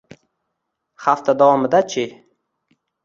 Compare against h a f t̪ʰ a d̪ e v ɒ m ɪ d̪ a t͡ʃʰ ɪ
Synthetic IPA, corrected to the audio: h a f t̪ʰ a d̪ a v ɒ m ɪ d̪ a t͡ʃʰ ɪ